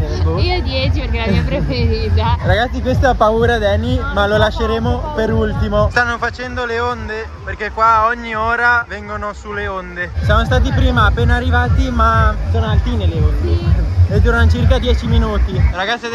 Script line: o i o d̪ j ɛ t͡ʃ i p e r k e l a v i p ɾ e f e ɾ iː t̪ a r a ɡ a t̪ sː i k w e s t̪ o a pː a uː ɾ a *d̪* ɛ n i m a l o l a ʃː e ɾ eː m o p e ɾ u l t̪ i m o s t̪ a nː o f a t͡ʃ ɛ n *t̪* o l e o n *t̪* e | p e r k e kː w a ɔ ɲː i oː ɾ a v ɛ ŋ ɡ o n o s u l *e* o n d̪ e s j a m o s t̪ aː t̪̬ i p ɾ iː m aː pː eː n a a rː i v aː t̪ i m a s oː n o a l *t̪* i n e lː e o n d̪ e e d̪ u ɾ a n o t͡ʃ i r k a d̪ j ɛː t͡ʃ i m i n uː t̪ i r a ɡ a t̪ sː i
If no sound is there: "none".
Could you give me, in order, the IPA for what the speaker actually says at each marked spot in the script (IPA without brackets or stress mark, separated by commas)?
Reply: d̪, d̪, d̪, e, t̪